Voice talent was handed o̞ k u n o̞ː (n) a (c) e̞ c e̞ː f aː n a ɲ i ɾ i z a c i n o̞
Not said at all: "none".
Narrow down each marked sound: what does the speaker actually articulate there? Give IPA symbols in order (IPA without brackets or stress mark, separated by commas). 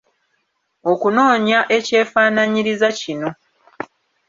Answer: ɲ, ʔ